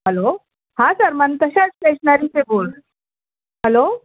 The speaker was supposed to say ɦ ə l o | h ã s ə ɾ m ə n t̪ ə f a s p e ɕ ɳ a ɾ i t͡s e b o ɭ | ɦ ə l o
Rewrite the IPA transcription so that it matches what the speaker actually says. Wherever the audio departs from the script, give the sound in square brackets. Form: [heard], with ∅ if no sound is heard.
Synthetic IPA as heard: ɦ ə l o | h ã s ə ɾ m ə n t̪ ə [ɕ] a [t͡s] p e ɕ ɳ a ɾ i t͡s e b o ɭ | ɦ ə l o